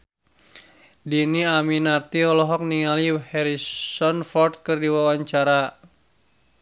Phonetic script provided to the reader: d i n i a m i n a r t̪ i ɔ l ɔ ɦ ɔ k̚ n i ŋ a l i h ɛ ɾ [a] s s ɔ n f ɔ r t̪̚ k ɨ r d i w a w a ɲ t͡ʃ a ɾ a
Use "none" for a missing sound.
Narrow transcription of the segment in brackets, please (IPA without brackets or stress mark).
i